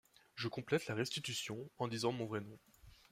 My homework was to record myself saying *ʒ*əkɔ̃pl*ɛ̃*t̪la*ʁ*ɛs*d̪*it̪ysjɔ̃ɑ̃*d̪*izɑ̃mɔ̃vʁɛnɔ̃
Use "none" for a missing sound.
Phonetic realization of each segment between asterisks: ʒ, ɛ, ʁ, t̪, d̪

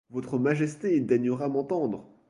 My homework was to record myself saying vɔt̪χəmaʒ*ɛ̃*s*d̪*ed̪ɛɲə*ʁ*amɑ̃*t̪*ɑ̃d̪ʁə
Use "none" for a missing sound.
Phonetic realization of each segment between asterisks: ɛ, t̪, ʁ, t̪

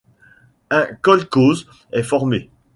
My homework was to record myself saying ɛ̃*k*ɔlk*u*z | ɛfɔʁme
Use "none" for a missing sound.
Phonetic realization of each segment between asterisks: k, o

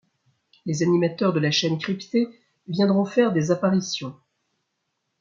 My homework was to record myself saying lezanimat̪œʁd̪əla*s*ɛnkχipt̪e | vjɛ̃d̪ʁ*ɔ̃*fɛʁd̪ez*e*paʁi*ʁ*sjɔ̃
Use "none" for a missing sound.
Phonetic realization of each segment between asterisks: ʃ, ɔ̃, a, none

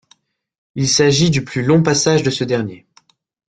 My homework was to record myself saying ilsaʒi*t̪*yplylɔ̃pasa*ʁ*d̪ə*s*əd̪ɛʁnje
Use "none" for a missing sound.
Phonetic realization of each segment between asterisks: d̪, ʒ, s

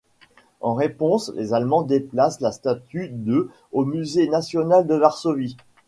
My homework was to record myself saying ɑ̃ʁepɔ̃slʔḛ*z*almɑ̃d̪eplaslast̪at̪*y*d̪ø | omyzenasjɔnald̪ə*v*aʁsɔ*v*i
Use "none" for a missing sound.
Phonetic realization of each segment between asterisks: z, y, v, v

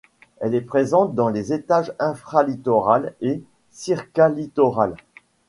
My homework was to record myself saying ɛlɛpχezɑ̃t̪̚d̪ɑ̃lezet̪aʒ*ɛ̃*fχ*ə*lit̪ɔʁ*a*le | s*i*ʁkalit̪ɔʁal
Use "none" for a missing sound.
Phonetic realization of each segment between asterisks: ɛ̃, a, a, i

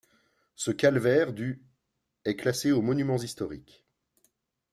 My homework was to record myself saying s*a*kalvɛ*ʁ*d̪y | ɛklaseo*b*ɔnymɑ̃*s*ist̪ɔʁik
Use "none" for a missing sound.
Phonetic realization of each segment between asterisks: ə, ʁ, m, z

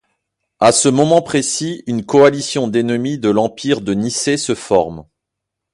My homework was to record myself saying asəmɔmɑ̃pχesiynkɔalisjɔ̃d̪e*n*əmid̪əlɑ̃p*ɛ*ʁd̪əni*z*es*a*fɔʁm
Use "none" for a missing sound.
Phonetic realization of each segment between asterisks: n, i, s, ə

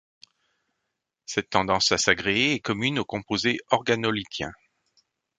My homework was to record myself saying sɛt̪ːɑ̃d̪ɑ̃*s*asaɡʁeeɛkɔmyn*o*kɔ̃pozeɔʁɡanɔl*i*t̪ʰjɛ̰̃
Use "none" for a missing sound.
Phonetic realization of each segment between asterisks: s, o, i

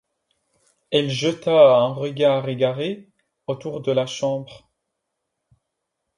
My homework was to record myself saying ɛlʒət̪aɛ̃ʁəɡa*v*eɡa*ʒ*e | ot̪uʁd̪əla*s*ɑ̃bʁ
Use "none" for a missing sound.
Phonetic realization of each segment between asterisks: ʁ, ʁ, ʃ

